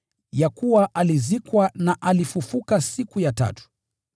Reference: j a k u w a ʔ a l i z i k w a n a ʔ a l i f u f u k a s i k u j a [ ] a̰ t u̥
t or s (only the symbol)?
t